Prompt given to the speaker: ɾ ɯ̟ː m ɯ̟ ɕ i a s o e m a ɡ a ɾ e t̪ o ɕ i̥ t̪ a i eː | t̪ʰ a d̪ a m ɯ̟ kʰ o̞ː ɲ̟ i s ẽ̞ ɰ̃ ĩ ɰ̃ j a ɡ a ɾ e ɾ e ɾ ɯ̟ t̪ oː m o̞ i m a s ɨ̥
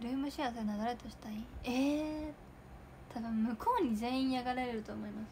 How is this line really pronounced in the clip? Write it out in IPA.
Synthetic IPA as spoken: ɾ ɯ̟ː m ɯ̟ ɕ i a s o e n a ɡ a ɾ e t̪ o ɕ i̥ t̪ a i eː | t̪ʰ a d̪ a m ɯ̟ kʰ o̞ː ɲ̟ i z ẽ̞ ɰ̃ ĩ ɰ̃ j a ɡ a ɾ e ɾ e ɾ ɯ̟ t̪ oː m o̞ i m a s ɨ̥

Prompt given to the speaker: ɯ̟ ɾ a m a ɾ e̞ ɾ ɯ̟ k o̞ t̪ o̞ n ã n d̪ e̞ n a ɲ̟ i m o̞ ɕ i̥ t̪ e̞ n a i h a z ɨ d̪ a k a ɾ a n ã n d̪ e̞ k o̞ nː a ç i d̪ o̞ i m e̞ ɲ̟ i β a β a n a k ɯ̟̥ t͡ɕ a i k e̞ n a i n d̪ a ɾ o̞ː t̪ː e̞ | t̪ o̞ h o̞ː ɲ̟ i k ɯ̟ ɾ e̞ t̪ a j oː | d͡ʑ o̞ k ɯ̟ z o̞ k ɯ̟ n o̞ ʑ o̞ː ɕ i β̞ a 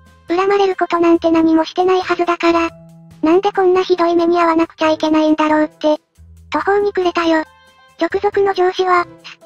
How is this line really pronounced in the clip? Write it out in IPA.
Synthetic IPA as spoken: ɯ̟ ɾ a m a ɾ e̞ ɾ ɯ̟ k o̞ t̪ o̞ n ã n t̪ e̞ n a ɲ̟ i m o̞ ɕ i̥ t̪ e̞ n a i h a z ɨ d̪ a k a ɾ a n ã n d̪ e̞ k õ̞ nː a ç i d̪ o̞ i m e̞ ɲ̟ i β a β a n a k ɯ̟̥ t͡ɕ a i k e̞ n a i n d̪ a ɾ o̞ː t̪ː e̞ | t̪ o̞ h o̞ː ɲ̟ i k ɯ̟ ɾ e̞ t̪ a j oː | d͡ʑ o̞ k ɯ̟ z o̞ k ɯ̟ n o̞ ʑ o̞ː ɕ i β̞ a

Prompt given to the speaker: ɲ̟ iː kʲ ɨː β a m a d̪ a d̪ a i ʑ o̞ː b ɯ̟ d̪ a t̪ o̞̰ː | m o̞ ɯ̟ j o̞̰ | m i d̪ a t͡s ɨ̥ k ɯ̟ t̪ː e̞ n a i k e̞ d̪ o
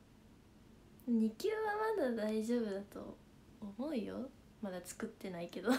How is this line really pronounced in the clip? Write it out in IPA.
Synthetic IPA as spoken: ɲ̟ i kʲ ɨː β a m a d̪ a d̪ a i ʑ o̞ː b ɯ̟ d̪ a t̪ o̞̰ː | m o̞ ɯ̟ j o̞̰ | m a d̪ a t͡s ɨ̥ k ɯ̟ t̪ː e̞ n a i k e̞ d̪ o

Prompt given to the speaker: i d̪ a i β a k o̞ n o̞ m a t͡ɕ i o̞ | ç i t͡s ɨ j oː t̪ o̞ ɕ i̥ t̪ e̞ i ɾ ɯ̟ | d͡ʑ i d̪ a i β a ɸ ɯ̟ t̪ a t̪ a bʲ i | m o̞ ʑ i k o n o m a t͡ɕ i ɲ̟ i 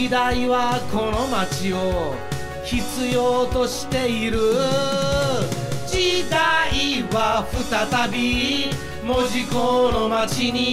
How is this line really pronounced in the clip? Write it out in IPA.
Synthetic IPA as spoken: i d̪ a i β a k o̞ n o̞ m a t͡ɕ i o̞ | ç i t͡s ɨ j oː t̪ o̞ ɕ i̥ t̪ e̞ i ɾ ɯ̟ | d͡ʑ i d̪ a i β a ɸ ɯ̟ t̪ a t̪ a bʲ i | m o̞ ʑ i k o n o m a t͡ɕ i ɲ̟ i

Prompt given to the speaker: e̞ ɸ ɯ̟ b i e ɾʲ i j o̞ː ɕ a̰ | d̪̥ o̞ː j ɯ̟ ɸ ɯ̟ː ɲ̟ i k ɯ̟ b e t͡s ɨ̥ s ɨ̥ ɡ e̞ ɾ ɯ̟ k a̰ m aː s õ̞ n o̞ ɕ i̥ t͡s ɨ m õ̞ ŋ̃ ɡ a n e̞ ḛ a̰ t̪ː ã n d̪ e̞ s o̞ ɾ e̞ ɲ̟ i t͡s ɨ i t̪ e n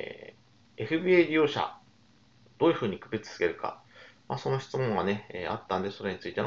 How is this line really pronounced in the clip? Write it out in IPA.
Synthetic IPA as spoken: e̞ ɸ ɯ̟ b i e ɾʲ i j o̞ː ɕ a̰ | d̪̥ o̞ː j ɯ̟ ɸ ɯ̟ː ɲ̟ i k ɯ̟ b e t͡s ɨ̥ s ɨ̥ ɡ e̞ ɾ ɯ̟ k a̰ m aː s o̞ n o̞ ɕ i̥ t͡s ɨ m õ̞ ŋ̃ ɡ a n e̞ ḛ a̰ t̪ː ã n d̪ e̞ s o̞ ɾ e̞ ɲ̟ i t͡s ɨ i t̪ e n

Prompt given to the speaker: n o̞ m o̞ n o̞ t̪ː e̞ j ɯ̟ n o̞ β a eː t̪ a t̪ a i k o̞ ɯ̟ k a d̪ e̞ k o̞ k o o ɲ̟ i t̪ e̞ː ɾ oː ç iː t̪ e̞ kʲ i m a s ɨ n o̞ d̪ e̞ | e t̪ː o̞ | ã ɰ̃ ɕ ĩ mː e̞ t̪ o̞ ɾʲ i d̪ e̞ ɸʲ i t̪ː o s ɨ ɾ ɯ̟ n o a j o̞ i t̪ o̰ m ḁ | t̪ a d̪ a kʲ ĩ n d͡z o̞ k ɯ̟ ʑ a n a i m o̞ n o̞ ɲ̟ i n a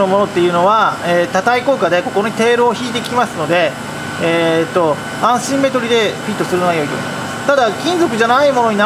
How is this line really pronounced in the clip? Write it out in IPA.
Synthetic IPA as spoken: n o̞ m o̞ n o̞ t̪ː e̞ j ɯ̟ n o̞ β a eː t̪ a t̪ a i k o̞ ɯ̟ k a d̪ e̞ k o̞ k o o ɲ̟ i t̪ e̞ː ɾ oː ç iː t̪ e̞ kʲ i m a s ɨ n o̞ d̪ e̞ | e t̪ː o̞ | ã ɰ̃ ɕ ĩ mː e̞ t̪ o̞ ɾʲ i d̪ e̞ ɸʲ i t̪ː o s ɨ ɾ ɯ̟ n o a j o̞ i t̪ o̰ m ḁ | t̪ a d̪ a kʲ ĩ n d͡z o̞ k ɯ̟ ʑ a n a i m o̞ n o̞ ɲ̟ i n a

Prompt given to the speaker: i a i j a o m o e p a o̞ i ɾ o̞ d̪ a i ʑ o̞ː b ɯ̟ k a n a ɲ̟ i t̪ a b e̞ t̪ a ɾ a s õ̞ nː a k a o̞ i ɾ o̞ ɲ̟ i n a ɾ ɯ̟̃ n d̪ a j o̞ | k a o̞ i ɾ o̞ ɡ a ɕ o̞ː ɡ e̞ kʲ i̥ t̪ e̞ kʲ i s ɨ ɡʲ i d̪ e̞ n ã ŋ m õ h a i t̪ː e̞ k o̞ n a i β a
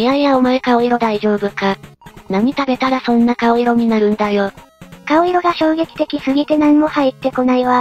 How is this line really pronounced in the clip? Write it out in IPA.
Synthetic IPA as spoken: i a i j a o m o e k a o̞ i ɾ o̞ d̪ a i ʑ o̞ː b ɯ̟ k a n a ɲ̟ i t̪ a b e̞ t̪ a ɾ a s õ̞ nː a k a o̞ i ɾ o̞ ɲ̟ i n a ɾ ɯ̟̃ n d̪ a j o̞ | k a o̞ i ɾ o̞ ɡ a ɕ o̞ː ɡ e̞ kʲ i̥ t̪ e̞ kʲ i s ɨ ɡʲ i t̪ e̞ n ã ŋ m o h a i t̪ː e̞ k o̞ n a i β a

